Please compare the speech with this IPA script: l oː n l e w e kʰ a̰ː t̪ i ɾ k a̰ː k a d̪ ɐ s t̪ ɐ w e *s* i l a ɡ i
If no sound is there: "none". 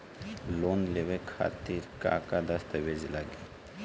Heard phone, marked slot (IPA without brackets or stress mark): z